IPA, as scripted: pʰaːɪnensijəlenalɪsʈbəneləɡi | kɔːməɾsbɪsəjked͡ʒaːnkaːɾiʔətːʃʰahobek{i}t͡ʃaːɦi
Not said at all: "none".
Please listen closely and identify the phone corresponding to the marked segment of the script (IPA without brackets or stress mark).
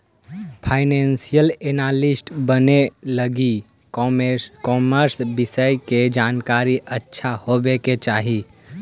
e